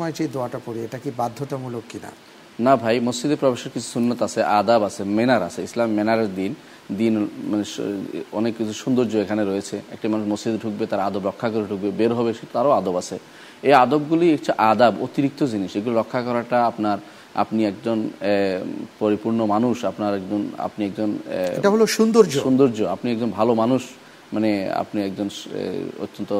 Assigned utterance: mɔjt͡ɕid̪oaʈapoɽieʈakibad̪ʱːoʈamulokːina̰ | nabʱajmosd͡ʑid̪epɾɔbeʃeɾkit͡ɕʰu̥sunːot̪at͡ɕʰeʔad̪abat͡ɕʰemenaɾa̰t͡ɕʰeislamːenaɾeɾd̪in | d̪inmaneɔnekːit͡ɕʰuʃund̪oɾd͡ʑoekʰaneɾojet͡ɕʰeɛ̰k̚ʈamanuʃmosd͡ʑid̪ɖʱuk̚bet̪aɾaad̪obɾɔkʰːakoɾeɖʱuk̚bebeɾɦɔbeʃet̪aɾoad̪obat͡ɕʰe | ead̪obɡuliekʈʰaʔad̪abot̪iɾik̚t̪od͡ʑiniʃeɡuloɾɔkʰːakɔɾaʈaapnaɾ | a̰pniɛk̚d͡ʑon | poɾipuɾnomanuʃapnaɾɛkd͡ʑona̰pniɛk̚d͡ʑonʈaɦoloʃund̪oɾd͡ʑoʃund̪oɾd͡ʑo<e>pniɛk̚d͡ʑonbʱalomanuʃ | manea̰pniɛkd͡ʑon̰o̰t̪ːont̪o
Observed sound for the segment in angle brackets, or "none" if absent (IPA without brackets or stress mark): a